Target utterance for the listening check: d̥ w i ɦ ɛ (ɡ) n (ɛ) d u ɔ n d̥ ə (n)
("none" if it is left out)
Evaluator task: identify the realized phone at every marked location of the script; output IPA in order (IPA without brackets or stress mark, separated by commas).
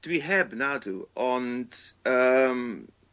b, a, m